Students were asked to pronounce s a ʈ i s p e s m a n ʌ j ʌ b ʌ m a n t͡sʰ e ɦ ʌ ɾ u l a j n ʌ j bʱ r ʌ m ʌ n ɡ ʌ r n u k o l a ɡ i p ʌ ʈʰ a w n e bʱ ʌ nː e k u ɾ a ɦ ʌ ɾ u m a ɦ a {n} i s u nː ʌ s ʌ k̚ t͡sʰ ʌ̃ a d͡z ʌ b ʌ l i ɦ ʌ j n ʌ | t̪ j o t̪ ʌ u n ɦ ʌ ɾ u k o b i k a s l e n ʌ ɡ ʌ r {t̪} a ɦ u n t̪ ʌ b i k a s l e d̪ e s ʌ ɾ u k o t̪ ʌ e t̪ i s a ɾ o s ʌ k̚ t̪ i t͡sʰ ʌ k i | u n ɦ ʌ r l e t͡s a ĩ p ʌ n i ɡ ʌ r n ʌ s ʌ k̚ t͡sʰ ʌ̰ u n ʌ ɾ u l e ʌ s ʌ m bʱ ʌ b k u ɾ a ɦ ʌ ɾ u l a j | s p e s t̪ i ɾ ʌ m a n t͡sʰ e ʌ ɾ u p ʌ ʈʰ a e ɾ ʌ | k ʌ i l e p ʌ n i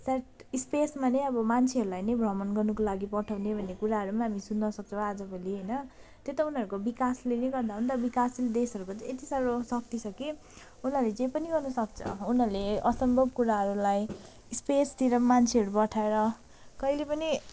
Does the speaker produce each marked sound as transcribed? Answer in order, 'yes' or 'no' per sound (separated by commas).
no, no